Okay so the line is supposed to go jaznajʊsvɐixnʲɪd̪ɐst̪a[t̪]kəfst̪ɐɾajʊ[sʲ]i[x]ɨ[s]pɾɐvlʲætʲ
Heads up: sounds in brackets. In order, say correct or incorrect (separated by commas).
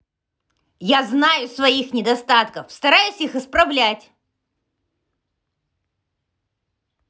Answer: correct, correct, correct, correct